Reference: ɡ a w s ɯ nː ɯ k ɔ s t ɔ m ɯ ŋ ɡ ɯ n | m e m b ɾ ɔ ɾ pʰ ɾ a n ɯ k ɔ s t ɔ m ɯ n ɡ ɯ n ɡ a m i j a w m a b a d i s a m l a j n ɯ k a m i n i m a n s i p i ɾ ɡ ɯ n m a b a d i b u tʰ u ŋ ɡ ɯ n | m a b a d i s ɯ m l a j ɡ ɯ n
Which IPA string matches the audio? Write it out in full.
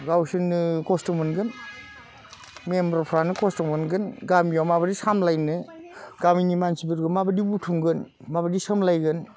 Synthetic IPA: ɡ a w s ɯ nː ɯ k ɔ s t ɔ m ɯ n ɡ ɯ n | m e m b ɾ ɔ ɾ pʰ ɾ a n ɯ k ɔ s t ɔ m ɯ n ɡ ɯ n ɡ a m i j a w m a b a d i s a m l a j n ɯ ɡ a m i n i m a n s i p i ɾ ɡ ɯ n m a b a d i b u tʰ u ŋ ɡ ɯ n | m a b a d i s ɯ m l a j ɡ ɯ n